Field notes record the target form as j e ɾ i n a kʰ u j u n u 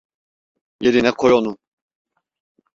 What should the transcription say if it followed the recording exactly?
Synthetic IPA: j e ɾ i n ɛ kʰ o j o n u